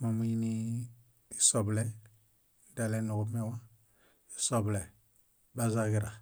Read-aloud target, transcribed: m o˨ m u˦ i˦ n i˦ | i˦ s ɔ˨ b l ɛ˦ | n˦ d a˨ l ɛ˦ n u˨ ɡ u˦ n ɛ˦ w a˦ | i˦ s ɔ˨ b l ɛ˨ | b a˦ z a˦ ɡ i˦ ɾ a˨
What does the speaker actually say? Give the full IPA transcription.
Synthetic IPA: m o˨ m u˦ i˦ n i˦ | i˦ s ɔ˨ b l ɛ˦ | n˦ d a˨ l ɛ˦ n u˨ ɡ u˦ m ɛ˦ w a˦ | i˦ s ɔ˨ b l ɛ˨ | b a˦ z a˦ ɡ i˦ ɾ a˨

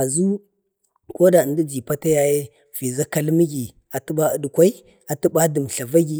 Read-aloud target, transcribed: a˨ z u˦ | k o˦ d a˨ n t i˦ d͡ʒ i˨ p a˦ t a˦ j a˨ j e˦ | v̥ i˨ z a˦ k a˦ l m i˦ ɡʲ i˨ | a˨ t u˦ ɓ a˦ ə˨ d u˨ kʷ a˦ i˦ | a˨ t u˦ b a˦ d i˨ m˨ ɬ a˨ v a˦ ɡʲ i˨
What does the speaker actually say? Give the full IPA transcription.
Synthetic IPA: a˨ z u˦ | k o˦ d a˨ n d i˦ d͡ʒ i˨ p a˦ t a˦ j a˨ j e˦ | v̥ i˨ z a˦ k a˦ l m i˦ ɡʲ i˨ | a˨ t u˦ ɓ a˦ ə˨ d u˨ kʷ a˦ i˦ | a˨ t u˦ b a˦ d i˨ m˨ ɬ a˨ v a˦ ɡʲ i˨

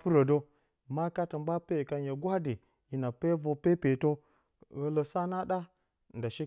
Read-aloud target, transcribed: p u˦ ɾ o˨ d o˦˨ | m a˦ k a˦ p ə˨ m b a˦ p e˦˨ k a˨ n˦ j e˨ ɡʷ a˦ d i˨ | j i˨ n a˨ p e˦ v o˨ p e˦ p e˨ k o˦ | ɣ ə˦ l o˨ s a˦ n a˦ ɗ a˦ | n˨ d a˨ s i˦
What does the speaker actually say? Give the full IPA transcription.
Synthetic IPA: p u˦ ɾ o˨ d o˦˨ | m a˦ k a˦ t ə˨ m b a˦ p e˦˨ k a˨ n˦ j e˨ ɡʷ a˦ d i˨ | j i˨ n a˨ p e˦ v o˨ p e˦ p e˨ t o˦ | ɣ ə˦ l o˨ s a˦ n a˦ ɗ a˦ | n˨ d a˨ ʃ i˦

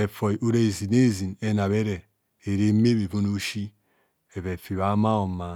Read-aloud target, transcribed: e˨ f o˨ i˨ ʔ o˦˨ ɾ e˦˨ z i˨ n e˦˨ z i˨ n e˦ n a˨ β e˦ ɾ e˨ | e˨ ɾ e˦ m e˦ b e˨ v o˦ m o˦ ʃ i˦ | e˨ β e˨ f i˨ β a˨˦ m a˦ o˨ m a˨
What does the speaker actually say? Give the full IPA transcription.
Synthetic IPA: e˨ f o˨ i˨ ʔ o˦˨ ɾ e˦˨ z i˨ n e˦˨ z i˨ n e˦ n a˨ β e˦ ɾ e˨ | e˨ ɾ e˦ m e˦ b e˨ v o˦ n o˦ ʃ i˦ | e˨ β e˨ f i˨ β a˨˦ m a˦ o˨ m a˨

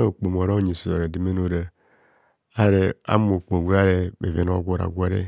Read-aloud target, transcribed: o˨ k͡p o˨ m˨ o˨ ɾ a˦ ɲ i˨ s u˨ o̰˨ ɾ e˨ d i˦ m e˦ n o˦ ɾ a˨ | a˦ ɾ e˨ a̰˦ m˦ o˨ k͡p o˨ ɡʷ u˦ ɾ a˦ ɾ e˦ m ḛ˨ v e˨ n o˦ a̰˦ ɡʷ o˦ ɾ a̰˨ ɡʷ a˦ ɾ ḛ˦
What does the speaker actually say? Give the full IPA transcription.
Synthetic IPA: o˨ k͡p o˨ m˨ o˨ ɾ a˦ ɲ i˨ s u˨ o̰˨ ɾ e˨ d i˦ m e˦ n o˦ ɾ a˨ | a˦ ɾ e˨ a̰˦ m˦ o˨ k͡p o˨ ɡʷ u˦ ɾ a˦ ɾ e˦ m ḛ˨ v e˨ n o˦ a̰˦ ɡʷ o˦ ɾ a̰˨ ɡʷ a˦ ɾ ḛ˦

